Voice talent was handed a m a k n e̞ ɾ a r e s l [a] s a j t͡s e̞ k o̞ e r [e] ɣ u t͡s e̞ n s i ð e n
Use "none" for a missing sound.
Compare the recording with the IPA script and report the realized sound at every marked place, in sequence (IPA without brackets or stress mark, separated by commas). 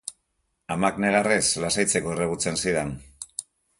a, e